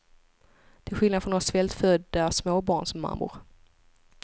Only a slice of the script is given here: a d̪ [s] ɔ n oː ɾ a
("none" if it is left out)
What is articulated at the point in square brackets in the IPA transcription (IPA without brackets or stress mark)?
f